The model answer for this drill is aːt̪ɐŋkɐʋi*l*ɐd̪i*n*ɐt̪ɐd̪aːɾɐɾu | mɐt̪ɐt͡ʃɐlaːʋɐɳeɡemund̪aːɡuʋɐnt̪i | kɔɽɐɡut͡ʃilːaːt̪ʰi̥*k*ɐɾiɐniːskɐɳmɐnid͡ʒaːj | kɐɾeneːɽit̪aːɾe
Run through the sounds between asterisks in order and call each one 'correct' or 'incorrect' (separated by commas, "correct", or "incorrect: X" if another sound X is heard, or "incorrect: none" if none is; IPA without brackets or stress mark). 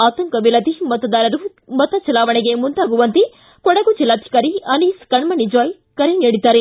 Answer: correct, incorrect: m, correct